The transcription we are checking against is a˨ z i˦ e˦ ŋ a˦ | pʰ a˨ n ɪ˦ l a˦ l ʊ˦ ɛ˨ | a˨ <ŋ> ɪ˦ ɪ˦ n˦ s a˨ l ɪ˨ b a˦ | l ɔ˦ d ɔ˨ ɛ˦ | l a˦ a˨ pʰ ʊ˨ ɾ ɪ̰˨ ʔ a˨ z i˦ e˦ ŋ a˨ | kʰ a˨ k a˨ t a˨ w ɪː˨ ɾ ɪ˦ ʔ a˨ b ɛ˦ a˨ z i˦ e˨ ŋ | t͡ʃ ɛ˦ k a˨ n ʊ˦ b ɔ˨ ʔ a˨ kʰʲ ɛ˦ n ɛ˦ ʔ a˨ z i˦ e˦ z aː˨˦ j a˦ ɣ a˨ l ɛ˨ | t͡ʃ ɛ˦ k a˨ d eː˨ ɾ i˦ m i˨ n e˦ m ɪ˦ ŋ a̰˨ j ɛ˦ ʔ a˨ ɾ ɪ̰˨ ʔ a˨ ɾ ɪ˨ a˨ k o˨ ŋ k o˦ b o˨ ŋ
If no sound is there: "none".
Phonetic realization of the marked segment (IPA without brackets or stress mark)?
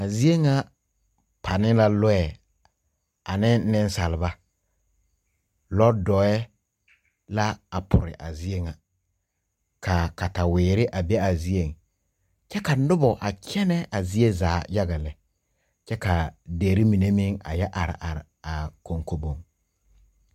n